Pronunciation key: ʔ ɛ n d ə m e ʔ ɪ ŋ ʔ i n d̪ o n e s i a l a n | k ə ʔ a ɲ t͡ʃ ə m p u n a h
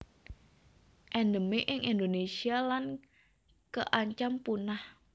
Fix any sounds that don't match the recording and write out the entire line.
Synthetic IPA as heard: ʔ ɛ n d ə m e ʔ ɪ ŋ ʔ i n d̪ o n e s i a l a n | k ə ʔ a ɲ t͡ʃ a m p u n a h